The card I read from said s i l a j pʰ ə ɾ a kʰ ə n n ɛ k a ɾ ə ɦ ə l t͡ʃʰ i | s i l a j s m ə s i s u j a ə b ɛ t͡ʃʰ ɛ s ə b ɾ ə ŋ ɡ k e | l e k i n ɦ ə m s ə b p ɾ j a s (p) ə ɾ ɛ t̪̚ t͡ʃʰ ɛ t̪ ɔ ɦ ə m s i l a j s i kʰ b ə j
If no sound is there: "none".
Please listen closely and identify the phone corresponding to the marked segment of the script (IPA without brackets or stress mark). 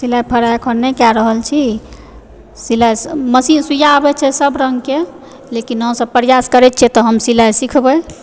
k